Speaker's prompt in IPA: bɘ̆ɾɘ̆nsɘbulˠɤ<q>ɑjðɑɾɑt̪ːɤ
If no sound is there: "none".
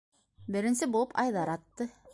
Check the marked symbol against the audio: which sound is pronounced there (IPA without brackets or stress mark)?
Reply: p